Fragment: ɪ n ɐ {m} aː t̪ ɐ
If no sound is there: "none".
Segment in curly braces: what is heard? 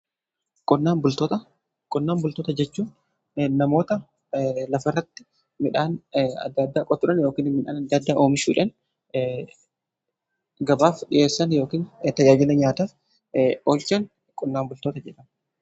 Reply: ɲ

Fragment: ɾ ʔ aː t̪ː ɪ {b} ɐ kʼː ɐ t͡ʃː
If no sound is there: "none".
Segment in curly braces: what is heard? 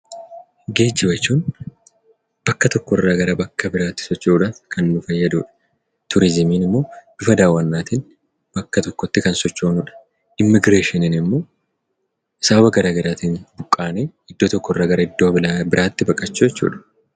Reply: b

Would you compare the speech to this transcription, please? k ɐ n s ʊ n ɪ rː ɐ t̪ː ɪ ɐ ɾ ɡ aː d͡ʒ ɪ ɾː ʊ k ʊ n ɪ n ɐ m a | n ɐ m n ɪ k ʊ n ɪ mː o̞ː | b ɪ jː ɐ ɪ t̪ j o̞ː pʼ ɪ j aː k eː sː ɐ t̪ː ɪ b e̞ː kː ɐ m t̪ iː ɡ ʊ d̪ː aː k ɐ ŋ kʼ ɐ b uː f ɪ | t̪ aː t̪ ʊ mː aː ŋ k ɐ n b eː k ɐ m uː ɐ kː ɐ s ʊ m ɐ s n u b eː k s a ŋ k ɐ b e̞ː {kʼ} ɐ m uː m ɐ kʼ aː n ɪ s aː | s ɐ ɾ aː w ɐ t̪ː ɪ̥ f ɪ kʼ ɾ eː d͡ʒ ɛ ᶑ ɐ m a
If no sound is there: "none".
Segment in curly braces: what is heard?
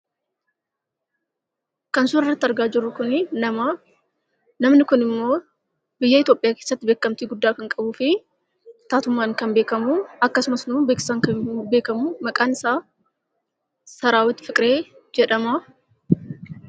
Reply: k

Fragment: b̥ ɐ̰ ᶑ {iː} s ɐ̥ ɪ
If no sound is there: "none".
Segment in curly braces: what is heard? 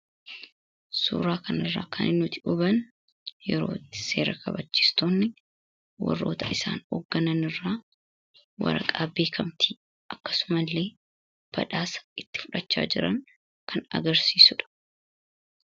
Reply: aː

